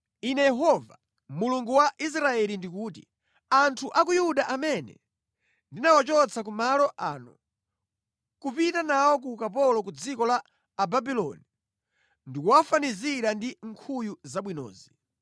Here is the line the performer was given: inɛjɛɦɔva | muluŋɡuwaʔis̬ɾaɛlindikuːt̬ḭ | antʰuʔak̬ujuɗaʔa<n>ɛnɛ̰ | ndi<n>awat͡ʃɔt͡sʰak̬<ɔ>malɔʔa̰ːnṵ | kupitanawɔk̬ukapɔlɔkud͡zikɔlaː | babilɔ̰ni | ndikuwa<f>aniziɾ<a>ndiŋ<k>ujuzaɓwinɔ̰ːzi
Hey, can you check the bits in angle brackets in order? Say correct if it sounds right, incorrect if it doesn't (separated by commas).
incorrect, correct, incorrect, correct, correct, incorrect